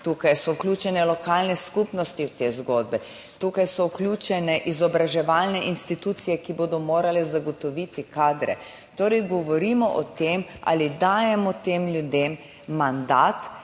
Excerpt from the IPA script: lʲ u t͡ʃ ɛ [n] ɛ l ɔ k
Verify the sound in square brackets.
correct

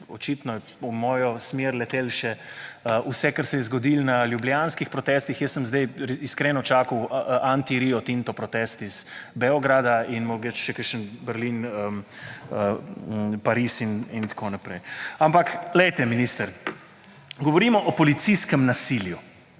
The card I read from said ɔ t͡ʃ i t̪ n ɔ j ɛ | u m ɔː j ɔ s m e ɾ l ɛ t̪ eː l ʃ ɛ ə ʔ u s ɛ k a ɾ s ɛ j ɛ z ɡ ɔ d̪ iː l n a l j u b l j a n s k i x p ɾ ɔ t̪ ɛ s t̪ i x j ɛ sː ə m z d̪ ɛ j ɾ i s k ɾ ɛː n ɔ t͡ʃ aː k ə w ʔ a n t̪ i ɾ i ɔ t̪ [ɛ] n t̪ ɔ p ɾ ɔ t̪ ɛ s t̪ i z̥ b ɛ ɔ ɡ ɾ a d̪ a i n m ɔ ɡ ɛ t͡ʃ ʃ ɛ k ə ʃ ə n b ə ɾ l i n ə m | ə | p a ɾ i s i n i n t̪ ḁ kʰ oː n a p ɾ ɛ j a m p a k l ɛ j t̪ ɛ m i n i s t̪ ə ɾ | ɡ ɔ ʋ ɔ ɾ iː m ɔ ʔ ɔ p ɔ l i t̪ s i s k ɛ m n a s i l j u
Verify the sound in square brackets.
incorrect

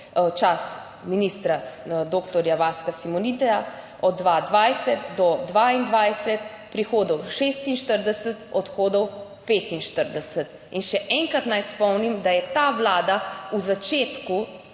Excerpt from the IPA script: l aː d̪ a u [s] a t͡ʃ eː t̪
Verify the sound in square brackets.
incorrect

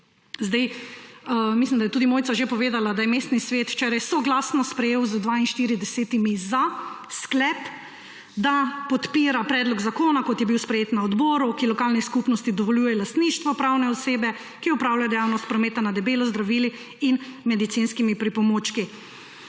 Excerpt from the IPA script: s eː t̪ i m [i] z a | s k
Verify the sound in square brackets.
correct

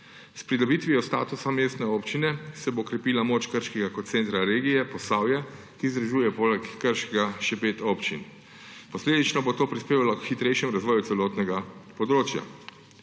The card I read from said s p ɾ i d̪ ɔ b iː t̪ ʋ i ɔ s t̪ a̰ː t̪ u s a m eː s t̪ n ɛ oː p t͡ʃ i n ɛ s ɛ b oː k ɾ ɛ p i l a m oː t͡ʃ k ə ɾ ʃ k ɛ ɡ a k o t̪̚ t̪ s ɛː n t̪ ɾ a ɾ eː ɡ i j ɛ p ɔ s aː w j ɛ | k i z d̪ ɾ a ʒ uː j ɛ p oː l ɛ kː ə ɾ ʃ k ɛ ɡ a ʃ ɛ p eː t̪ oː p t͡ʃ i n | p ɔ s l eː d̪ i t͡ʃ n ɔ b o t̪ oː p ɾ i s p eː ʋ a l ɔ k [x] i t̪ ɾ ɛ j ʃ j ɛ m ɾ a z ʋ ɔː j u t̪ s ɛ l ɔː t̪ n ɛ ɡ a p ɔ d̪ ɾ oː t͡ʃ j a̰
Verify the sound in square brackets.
correct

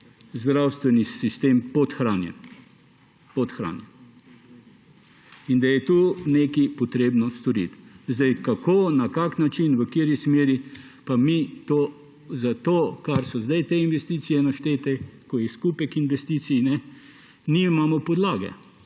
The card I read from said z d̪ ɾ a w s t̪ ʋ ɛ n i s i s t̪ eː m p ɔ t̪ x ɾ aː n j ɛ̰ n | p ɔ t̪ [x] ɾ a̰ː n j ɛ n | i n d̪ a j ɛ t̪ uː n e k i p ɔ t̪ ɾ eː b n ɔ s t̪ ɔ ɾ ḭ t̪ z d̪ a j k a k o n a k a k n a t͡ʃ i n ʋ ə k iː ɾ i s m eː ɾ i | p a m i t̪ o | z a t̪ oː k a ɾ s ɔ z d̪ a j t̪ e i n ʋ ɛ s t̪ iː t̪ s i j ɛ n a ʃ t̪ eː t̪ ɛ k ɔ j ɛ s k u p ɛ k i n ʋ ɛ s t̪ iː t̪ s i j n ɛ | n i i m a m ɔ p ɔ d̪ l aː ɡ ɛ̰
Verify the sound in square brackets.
correct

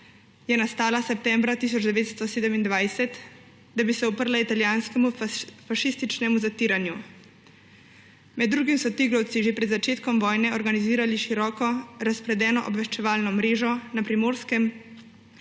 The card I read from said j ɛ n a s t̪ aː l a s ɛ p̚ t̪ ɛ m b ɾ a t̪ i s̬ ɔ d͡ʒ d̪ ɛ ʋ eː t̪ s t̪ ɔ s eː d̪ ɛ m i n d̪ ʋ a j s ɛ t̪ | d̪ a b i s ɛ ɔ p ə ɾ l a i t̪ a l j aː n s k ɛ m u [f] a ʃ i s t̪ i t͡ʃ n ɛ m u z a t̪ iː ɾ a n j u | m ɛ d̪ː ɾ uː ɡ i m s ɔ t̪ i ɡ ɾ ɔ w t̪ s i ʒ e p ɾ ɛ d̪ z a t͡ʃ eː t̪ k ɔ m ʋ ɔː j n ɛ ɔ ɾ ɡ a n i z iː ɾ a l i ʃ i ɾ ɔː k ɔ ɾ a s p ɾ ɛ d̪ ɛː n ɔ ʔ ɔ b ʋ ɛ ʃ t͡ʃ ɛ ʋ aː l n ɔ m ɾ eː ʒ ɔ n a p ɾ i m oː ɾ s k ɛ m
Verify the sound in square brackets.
correct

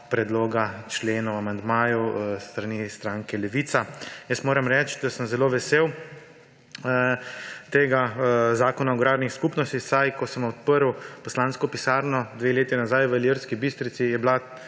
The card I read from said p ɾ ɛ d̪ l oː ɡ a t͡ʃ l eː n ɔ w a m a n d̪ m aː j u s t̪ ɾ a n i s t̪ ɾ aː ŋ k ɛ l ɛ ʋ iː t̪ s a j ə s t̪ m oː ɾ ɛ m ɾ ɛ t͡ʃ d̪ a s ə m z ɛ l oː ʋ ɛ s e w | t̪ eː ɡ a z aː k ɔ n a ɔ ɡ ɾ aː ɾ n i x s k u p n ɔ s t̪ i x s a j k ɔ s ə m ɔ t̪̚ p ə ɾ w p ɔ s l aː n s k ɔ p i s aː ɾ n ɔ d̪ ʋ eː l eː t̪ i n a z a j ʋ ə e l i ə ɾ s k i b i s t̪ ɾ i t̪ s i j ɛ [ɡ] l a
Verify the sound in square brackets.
incorrect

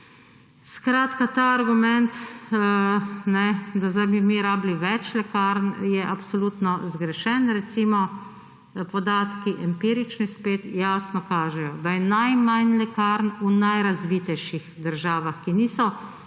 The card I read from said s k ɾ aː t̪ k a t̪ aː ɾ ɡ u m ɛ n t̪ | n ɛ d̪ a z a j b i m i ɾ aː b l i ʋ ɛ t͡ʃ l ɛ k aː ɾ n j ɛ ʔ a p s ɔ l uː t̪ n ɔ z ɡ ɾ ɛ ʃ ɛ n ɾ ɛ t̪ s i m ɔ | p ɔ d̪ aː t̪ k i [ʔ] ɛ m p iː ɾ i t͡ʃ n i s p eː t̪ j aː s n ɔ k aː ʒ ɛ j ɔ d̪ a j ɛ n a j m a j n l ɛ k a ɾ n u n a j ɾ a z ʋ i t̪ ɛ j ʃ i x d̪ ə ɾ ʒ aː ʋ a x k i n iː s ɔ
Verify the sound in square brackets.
correct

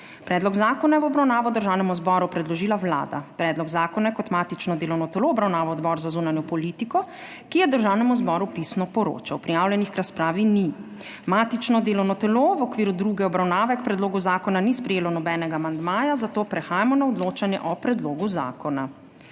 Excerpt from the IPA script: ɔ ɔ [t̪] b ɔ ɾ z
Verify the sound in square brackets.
incorrect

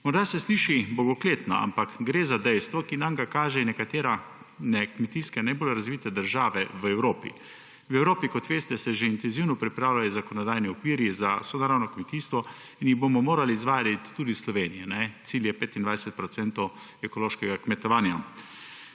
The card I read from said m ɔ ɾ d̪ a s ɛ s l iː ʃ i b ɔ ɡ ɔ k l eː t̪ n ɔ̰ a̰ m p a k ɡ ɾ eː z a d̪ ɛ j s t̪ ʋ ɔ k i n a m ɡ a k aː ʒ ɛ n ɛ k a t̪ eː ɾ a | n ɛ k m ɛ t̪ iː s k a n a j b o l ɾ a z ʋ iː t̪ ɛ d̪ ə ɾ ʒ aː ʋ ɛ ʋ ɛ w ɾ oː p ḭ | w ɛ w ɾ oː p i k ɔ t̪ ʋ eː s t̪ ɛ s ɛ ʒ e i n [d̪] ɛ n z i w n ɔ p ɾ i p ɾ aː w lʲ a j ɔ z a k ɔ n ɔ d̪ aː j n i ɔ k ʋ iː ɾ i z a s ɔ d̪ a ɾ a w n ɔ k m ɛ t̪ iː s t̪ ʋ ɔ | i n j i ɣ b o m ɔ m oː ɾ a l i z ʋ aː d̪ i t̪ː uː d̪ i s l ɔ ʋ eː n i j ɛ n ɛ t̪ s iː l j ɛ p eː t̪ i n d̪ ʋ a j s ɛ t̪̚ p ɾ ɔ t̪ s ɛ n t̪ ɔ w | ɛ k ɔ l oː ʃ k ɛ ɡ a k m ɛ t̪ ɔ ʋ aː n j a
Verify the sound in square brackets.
incorrect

